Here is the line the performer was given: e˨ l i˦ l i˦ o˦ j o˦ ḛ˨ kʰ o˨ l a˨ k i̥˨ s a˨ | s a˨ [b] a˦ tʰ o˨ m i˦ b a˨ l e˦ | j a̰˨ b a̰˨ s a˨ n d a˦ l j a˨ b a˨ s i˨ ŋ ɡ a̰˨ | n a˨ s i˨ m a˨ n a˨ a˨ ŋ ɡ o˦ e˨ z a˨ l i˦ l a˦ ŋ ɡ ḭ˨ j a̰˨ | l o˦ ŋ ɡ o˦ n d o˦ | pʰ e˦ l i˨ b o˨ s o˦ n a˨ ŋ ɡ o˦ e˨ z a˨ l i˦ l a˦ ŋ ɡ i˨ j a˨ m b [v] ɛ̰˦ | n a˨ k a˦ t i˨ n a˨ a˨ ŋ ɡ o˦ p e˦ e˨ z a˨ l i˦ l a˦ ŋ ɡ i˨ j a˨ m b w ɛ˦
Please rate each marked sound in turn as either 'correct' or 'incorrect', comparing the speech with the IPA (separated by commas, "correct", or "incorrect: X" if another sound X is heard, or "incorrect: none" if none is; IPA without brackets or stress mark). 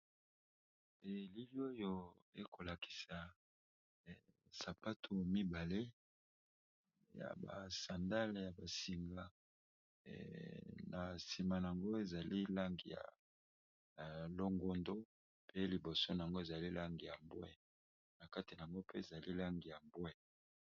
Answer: incorrect: p, incorrect: w